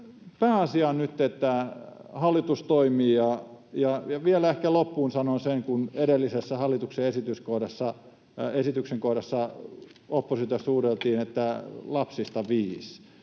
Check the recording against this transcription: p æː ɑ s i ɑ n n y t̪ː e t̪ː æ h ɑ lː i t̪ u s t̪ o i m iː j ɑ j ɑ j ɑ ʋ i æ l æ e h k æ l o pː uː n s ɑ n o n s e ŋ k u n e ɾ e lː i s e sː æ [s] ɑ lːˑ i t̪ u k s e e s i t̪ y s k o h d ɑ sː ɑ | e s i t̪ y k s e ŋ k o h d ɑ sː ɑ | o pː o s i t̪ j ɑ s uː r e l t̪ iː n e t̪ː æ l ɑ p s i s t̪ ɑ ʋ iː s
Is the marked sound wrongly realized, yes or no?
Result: yes